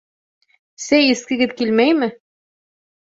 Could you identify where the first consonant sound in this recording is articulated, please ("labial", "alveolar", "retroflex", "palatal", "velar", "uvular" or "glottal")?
alveolar